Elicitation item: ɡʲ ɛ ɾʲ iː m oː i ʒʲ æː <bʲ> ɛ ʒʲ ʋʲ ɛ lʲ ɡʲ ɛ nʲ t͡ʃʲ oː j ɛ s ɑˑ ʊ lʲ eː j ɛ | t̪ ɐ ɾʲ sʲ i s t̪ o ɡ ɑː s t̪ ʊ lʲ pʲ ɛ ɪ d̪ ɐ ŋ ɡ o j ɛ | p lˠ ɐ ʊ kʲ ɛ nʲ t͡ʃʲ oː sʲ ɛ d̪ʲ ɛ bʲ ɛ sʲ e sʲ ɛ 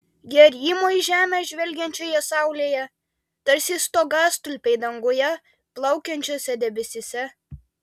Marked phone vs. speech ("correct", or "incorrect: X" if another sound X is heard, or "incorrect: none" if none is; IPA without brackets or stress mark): incorrect: mʲ